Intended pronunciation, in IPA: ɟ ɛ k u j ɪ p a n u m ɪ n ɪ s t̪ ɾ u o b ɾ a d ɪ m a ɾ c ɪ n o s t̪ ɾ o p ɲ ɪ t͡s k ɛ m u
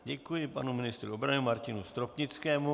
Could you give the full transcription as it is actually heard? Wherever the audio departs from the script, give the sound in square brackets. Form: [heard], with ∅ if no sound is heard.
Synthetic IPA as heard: ɟ ɛ k u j ɪ p a n u m ɪ n ɪ s t̪ ɾ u o b ɾ a [n] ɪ m a ɾ c ɪ n [u] s t̪ ɾ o p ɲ ɪ t͡s k [ɛː] m u